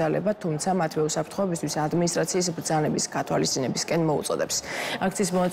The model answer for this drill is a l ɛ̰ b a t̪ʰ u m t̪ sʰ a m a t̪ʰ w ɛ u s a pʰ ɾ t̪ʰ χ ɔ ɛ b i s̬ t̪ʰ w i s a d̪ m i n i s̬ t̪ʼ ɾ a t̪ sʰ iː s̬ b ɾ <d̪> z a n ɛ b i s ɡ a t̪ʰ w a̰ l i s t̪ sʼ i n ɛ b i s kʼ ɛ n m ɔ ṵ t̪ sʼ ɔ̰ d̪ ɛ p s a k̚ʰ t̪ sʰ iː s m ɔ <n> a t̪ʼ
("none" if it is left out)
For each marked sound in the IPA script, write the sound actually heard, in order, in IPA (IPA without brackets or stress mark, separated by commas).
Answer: d̪, n